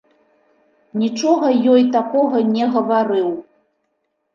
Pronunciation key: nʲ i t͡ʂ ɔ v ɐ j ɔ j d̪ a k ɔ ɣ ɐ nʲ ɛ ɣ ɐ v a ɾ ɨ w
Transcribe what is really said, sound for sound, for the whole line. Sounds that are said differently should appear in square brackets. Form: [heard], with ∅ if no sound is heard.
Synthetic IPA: nʲ i t͡ʂ ɔ [ɣ] ɐ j ɔ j [t̪] a k ɔ ɣ ɐ nʲ ɛ ɣ ɐ v a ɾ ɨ w